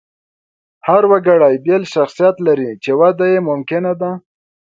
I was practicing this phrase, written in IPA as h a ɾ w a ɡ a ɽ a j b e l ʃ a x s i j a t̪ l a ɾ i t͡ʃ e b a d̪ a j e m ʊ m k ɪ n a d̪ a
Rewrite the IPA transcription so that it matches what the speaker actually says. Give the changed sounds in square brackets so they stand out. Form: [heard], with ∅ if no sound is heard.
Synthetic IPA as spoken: h a ɾ w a ɡ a ɽ a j b e l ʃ a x s i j a t̪ l a ɾ i t͡ʃ e [w] a d̪ a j e m ʊ m k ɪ n a d̪ a